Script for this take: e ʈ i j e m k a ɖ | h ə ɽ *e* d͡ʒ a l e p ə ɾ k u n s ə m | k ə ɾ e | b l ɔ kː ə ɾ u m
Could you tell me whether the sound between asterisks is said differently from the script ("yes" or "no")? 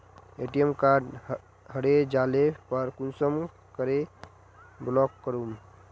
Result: no